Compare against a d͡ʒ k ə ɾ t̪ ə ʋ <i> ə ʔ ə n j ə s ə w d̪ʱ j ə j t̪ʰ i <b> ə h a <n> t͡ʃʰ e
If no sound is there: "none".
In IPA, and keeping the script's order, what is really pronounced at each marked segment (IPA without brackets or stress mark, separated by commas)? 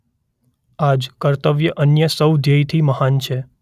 j, m, n